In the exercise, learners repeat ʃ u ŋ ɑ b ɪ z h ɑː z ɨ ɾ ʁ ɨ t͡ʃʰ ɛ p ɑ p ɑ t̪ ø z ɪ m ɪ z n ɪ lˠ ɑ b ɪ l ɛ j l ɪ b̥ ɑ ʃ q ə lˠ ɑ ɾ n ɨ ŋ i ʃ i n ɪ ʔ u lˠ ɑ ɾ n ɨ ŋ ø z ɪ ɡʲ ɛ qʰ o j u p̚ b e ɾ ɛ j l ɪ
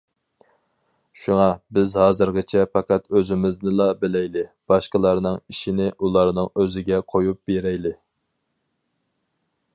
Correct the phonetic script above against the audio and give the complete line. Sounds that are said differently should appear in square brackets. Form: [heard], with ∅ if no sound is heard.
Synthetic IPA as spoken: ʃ u ŋ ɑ b ɪ z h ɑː z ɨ ɾ ʁ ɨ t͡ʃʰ ɛ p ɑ [q] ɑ t̪ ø z ɪ m ɪ z n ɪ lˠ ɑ b ɪ l ɛ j l ɪ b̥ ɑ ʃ q ə lˠ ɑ ɾ n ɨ ŋ i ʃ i n ɪ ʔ u lˠ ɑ ɾ n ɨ ŋ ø z ɪ ɡʲ ɛ qʰ o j u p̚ b e ɾ ɛ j l ɪ